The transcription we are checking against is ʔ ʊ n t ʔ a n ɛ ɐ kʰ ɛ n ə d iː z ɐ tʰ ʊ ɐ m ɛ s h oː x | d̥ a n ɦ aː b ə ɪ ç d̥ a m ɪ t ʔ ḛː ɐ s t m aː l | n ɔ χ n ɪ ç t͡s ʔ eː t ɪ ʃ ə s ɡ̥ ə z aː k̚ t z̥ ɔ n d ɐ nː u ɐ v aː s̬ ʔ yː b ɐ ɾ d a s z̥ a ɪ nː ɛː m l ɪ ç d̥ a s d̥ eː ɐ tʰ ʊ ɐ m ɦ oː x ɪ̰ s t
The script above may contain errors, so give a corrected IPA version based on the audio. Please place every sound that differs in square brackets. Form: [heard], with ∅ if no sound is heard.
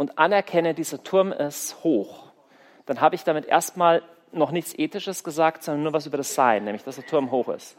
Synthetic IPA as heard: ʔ ʊ n t ʔ a n ɛ ɐ kʰ ɛ n ə d iː z ɐ tʰ ʊ ɐ m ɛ s h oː x | d̥ a n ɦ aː b ə ɪ ç d̥ a m ɪ t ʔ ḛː ɐ s t m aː l | n ɔ χ n ɪ ç t͡s ʔ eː t ɪ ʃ ə s ɡ̥ ə z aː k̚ t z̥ ɔ n d ɐ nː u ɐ v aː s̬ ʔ yː b ɐ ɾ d a s z̥ a ɪ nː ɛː m l ɪ ç d̥ a s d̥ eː ɐ tʰ ʊ ɐ m ɦ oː x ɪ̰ s t